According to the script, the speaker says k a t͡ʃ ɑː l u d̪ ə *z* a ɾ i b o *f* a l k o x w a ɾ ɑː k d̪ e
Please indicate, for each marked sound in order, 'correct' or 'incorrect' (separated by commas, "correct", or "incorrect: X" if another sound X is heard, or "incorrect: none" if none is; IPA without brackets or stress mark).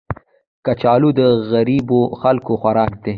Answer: incorrect: ɣ, incorrect: x